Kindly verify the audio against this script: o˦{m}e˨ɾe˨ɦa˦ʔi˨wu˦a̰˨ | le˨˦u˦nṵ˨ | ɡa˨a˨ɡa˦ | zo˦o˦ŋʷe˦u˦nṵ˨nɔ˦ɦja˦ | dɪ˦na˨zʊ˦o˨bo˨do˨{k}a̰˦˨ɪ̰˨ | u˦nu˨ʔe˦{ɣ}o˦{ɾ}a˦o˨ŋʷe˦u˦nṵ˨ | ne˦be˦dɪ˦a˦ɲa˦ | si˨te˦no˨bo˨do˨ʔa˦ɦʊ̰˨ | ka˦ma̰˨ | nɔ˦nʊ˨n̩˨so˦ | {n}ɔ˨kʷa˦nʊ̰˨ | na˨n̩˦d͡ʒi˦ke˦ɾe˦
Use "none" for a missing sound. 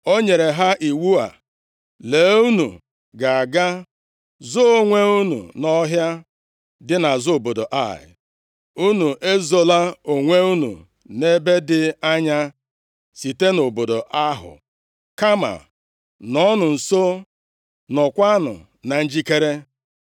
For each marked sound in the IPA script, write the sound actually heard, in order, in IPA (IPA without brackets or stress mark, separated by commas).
ɲ, ʔ, z, l, n